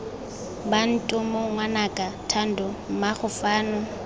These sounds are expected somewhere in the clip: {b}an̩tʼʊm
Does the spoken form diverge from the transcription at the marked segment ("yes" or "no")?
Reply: no